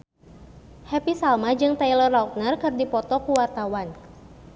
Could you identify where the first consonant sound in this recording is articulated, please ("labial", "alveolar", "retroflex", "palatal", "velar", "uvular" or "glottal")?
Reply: glottal